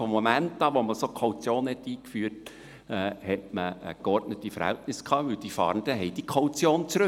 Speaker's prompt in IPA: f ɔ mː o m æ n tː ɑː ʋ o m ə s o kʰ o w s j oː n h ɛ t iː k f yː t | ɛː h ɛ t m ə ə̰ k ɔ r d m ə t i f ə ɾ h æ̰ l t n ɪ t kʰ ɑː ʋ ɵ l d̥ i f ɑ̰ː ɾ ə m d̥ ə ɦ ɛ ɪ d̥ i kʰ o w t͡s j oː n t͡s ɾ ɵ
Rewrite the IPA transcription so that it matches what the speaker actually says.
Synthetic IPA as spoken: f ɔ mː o m æ n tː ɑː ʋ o m ə s o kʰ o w t͡s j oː n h ɛ t iː k f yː t | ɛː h ɛ t m ə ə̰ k ɔ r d n ə t i f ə ɾ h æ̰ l t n ɪ s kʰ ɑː ʋ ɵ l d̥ i f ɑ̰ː ɾ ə n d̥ ə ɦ ɛ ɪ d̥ i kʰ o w t͡s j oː n t͡s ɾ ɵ